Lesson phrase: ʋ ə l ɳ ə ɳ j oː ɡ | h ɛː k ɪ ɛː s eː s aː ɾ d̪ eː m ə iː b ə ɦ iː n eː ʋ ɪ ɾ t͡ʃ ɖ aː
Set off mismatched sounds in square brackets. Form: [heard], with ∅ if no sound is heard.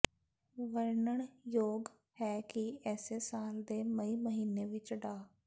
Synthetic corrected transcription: ʋ ə [ɾ] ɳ ə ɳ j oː ɡ | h ɛː k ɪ ɛː s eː s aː [l] d̪ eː m ə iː [m] ə ɦ iː n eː ʋ ɪ [∅] t͡ʃ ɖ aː